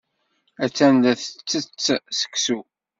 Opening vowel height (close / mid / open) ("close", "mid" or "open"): open